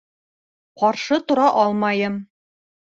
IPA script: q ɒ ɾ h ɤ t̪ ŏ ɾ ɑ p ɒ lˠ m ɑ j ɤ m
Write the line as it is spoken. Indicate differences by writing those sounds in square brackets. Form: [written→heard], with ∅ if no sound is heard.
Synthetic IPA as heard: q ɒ ɾ [h→ʃ] ɤ t̪ ŏ ɾ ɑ [p→ʔ] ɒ lˠ m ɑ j ɤ m